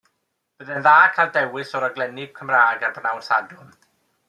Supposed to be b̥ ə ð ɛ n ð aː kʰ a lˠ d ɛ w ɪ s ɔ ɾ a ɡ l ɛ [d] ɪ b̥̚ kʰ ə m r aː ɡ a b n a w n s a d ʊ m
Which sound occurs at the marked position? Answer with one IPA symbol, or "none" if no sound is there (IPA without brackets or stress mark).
n